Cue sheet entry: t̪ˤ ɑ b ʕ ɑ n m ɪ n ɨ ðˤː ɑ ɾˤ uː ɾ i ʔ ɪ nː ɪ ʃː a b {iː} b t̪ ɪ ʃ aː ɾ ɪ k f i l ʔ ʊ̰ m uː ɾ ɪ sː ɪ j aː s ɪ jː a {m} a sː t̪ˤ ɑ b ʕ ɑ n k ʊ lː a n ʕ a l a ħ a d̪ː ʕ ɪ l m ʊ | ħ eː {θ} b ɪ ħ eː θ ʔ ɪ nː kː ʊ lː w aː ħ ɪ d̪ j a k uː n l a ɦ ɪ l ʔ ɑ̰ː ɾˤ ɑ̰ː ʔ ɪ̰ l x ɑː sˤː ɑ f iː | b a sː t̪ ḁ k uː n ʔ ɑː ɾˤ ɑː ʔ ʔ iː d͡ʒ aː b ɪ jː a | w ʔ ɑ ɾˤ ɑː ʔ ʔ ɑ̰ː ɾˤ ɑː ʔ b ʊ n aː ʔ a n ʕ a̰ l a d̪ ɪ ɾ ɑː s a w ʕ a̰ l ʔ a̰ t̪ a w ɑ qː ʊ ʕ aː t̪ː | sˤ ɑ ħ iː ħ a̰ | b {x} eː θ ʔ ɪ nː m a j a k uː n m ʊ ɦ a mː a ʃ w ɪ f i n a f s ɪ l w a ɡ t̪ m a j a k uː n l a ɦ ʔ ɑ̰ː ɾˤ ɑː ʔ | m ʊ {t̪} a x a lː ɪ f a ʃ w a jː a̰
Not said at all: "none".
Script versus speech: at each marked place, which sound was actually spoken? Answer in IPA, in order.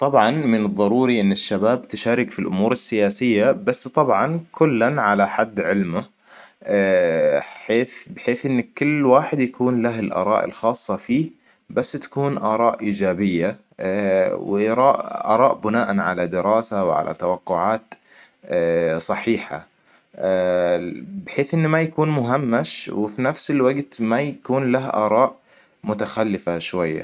aː, b, θ, ħ, t̪

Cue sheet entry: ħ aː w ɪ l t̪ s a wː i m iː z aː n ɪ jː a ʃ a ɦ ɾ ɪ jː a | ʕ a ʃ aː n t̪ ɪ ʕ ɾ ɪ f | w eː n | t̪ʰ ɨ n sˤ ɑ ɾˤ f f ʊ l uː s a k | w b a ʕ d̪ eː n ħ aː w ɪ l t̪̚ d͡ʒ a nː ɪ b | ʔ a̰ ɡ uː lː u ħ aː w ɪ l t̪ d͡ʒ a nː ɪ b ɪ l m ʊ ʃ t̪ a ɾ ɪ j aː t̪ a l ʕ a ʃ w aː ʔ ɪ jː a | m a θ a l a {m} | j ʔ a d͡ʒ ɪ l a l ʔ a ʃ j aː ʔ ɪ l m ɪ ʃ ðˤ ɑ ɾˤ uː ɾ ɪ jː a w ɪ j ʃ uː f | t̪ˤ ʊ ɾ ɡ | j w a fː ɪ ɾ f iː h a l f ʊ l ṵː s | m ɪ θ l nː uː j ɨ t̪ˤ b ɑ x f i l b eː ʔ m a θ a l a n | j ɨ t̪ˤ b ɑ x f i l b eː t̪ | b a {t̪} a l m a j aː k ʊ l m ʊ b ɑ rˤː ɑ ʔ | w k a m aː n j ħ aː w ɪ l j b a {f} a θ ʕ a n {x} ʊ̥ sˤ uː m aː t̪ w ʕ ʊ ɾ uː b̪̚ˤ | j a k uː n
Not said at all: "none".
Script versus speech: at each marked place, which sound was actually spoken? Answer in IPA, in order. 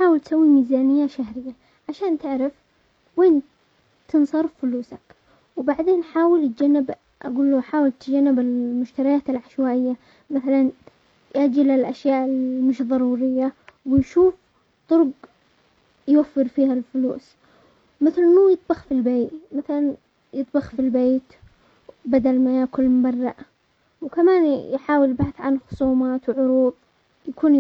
n, d̪, ħ, x

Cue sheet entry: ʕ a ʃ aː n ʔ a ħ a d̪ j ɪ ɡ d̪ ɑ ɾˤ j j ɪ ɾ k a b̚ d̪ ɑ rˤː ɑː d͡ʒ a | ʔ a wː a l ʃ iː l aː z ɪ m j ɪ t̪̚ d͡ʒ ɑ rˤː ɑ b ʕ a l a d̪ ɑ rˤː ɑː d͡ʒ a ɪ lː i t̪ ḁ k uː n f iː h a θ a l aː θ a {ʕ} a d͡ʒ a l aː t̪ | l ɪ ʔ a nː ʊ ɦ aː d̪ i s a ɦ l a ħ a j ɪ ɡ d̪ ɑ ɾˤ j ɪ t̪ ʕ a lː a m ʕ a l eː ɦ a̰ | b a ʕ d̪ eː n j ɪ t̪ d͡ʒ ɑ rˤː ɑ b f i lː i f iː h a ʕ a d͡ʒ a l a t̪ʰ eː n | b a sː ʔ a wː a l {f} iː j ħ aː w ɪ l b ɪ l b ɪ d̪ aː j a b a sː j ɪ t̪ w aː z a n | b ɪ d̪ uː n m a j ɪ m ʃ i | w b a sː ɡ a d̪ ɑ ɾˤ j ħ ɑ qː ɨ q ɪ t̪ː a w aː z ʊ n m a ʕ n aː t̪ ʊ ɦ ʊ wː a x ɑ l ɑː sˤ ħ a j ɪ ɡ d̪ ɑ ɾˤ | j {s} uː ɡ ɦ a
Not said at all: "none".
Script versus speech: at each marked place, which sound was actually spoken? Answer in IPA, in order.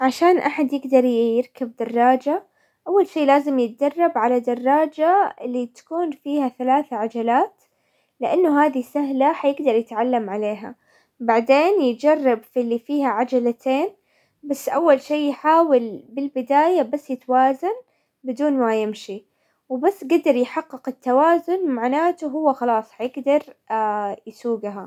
ʕ, ʃ, s

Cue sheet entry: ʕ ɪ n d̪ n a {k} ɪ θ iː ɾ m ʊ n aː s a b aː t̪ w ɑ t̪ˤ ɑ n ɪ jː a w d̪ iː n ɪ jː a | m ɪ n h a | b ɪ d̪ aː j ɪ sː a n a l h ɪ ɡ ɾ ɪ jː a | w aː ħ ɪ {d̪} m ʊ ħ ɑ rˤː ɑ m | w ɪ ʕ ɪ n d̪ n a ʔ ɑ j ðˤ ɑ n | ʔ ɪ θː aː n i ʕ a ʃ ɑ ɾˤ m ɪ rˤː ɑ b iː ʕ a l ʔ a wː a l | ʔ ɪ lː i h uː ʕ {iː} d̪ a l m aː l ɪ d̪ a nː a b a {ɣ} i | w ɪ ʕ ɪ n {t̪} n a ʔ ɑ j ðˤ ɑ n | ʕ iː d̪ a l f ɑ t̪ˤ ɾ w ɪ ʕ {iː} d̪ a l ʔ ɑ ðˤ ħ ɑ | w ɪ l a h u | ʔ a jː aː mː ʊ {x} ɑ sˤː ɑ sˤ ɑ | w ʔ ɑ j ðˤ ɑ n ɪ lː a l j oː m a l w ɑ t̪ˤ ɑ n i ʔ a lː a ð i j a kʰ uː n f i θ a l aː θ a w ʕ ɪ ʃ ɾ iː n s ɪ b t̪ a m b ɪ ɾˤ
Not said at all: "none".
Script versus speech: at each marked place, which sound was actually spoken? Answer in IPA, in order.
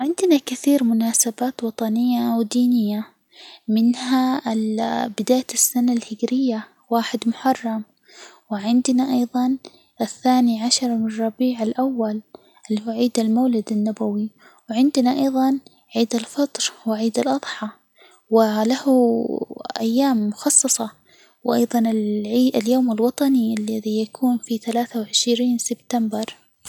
k, d̪, iː, w, d̪, iː, x

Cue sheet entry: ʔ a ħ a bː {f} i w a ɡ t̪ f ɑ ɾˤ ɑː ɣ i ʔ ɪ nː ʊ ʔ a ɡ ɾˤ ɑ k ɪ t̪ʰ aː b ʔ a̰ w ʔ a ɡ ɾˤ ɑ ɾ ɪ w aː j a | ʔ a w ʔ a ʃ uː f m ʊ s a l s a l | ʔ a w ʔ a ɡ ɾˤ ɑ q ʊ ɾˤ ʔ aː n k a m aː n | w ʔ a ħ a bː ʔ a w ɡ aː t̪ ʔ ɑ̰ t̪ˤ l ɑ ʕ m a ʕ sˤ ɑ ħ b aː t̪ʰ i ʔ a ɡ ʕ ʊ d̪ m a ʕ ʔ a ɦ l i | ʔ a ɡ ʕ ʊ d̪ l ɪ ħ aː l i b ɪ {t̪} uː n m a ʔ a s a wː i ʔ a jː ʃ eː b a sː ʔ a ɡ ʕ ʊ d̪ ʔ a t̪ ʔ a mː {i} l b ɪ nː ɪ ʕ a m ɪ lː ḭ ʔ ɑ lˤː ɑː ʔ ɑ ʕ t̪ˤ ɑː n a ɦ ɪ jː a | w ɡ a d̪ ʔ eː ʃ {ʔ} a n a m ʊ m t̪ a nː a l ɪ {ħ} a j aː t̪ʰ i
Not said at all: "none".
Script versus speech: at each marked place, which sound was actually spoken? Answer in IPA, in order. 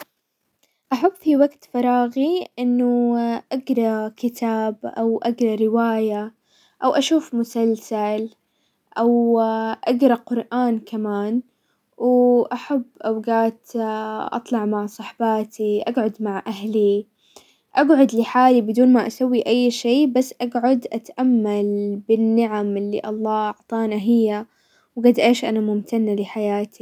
f, d̪, a, ʔ, ħ

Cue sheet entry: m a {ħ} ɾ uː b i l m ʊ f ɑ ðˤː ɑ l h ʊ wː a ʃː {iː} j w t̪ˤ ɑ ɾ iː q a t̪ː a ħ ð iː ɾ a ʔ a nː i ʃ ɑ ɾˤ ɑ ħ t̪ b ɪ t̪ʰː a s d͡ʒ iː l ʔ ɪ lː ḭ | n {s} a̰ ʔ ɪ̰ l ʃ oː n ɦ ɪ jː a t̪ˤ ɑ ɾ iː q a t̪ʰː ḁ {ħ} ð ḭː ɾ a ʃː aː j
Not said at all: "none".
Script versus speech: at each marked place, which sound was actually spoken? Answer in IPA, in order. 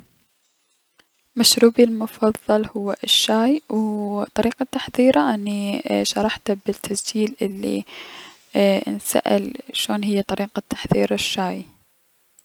ʃ, aː, s, ħ

